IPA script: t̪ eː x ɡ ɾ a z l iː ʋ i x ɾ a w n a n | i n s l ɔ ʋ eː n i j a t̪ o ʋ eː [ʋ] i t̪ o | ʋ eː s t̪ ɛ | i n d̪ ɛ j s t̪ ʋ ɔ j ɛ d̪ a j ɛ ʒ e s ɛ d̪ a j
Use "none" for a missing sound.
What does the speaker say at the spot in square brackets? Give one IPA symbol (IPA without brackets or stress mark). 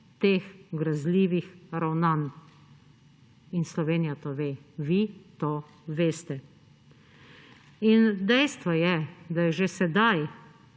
ʋ